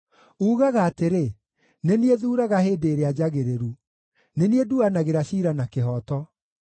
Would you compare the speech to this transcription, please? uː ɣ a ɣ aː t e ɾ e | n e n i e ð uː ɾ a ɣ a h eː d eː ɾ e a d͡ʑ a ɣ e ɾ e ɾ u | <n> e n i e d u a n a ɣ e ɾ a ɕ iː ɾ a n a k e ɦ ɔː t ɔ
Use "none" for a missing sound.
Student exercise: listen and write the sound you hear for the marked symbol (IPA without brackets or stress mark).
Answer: n